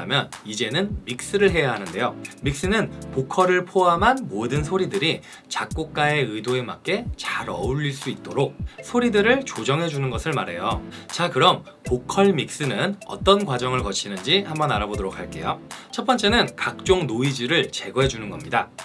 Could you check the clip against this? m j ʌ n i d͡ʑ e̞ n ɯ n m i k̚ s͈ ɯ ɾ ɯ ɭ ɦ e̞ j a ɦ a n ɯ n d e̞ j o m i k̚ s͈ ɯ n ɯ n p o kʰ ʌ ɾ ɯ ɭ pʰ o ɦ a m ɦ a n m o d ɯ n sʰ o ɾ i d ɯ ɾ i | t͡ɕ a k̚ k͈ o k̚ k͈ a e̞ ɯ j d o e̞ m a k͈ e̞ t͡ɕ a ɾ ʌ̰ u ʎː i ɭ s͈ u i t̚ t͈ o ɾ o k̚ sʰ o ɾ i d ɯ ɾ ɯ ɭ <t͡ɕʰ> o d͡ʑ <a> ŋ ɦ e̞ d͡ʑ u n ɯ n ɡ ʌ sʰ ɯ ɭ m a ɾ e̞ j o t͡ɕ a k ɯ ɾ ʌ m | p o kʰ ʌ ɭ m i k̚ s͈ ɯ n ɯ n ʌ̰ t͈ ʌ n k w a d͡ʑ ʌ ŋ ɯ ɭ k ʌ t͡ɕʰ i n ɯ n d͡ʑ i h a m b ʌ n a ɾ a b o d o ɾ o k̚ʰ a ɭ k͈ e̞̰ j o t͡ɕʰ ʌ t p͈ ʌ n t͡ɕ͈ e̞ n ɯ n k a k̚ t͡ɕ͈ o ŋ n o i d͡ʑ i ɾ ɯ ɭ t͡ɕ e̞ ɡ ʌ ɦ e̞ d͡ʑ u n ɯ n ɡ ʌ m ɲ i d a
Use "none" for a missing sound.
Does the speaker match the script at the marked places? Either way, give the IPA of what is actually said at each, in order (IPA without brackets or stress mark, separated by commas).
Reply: t͡ɕ, ʌ